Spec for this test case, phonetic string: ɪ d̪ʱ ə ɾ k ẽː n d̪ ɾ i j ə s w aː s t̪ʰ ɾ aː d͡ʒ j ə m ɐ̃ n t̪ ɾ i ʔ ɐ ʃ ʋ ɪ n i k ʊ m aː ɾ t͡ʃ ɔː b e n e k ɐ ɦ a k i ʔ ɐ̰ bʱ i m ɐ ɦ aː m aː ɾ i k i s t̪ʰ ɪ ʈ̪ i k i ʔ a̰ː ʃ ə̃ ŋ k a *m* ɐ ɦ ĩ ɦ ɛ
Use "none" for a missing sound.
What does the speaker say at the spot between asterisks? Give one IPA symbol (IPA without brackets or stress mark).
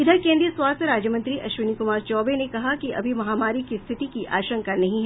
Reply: n